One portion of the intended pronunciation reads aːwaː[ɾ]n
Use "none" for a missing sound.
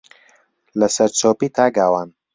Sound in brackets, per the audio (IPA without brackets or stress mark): none